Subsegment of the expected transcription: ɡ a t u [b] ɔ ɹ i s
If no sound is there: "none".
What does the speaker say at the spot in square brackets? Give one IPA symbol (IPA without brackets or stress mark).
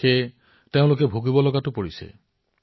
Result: p